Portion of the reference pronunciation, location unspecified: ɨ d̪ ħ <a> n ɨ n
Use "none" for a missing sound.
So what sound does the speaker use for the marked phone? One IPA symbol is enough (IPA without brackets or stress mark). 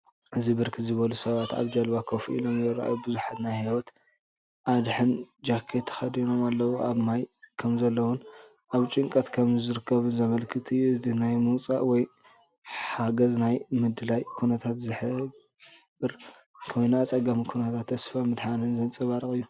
a